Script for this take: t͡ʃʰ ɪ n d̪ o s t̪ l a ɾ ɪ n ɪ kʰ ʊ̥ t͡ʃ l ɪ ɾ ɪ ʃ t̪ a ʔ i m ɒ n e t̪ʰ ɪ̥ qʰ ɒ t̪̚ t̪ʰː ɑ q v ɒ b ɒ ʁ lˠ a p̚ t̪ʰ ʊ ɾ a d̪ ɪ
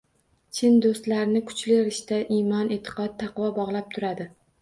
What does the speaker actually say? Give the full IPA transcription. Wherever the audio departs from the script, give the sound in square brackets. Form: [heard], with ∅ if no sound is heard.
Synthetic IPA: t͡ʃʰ ɪ n d̪ o s t̪ l a ɾ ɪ n ɪ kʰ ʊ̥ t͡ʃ l ɪ ɾ ɪ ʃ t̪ a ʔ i m ɒ n e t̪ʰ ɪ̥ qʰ ɒ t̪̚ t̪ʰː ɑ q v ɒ b ɒ ʁ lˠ a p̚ t̪ʰ ʊ ɾ a d̪ ɪ